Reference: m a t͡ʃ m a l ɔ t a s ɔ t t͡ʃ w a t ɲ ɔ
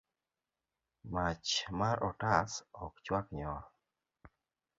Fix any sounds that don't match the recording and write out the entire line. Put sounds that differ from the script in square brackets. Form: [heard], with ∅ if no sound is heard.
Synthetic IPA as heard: m a t͡ʃ m a [ɾ] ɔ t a s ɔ [k] t͡ʃ w a [k] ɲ ɔ

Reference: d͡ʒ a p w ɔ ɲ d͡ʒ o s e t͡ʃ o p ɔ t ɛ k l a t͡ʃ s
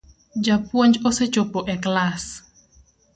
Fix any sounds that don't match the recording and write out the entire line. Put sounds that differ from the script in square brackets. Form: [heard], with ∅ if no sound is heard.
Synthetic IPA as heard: d͡ʒ a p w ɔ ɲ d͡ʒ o s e t͡ʃ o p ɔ [ʔ] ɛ k l a [∅] s

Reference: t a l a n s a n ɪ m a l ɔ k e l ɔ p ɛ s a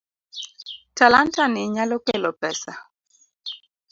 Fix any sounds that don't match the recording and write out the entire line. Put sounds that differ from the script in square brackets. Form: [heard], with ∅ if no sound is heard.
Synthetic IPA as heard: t a l a n [t] a n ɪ [ɲ] a l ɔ k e l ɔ p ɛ s a

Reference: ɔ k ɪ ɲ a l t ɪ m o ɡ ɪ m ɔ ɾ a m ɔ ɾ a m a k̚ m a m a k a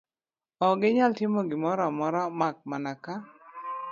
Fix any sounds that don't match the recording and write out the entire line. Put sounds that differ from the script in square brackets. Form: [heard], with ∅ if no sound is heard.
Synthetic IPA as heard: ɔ [ɡ] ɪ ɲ a l t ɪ m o ɡ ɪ m ɔ ɾ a m ɔ ɾ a m a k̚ m a [n] a k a

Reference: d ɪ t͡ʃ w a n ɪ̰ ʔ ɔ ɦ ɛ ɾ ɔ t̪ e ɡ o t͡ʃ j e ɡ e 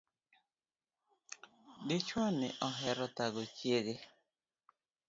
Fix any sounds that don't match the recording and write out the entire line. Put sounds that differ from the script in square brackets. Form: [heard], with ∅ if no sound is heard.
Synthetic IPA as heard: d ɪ t͡ʃ w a n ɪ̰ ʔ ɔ ɦ ɛ ɾ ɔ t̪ [a] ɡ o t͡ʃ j e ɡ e

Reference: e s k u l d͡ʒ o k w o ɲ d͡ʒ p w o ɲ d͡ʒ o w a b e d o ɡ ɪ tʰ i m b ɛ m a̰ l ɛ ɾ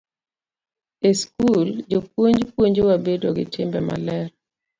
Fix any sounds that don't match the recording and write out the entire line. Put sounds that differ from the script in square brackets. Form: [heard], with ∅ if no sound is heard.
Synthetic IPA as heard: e s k u l d͡ʒ o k w o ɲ d͡ʒ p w o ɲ d͡ʒ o w a b e d o ɡ ɪ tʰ [ɪ] m b ɛ m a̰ l ɛ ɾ

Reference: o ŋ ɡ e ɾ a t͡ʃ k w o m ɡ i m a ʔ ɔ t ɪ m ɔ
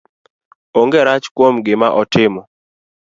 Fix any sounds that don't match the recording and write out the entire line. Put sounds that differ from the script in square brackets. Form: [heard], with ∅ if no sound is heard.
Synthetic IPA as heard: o ŋ ɡ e ɾ a t͡ʃ k w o m ɡ [ɪ] m a ʔ ɔ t ɪ m ɔ

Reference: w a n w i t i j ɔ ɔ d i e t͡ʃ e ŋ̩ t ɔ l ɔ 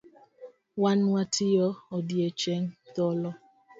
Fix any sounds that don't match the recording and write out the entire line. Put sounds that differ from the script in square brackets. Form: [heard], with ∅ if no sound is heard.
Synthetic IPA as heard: w a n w [a] t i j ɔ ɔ d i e t͡ʃ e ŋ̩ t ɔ l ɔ

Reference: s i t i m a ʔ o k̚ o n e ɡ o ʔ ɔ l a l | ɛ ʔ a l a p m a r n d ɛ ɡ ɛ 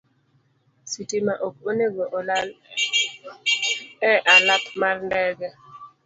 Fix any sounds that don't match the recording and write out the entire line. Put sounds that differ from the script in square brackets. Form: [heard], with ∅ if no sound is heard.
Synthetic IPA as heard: s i t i m a ʔ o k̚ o n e ɡ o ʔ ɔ l a l | ɛ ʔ a l a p m a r n d ɛ ɡ ɛ

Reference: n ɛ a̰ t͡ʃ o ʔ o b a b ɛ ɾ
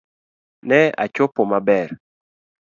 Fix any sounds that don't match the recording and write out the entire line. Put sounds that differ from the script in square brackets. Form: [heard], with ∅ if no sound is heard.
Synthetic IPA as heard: n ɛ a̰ t͡ʃ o [p] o [m] a b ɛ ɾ

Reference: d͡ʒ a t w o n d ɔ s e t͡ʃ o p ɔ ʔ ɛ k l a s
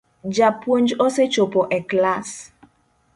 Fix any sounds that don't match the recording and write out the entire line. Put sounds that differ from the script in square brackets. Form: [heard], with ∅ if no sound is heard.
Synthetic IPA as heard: d͡ʒ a [p] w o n [d͡ʒ] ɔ s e t͡ʃ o p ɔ ʔ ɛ k l a s

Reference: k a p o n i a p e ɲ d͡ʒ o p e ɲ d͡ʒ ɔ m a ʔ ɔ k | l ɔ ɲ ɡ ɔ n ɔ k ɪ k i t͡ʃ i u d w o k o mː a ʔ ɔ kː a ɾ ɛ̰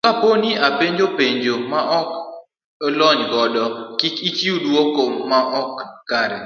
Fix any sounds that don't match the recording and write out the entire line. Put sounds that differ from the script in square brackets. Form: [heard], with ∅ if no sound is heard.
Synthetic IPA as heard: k a p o n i a p e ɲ d͡ʒ o p e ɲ d͡ʒ [o] m a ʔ ɔ k | l ɔ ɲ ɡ ɔ [d] ɔ k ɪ k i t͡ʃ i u d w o k o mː a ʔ ɔ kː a ɾ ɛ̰

